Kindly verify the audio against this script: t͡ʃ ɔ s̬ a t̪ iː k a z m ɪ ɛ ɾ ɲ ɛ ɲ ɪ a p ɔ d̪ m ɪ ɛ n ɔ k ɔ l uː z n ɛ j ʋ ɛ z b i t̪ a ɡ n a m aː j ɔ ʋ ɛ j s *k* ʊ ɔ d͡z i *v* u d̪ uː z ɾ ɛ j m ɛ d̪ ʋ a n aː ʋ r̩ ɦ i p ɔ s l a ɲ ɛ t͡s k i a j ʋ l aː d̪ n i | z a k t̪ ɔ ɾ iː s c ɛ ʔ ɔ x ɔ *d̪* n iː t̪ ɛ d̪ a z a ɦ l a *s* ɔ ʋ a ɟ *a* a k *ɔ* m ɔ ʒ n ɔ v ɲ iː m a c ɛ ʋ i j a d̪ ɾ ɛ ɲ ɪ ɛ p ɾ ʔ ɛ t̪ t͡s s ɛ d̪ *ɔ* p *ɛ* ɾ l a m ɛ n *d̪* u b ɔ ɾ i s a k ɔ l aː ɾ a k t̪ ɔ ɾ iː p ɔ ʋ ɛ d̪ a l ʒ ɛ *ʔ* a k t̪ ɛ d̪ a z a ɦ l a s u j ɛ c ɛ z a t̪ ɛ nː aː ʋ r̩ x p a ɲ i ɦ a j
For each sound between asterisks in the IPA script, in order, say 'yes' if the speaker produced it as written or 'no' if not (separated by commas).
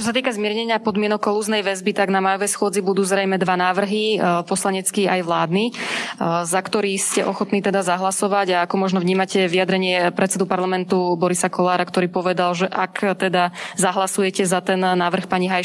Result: no, no, no, yes, yes, yes, no, no, no, yes